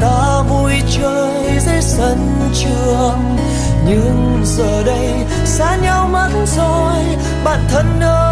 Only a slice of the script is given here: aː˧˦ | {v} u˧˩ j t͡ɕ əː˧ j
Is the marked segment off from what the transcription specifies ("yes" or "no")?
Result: no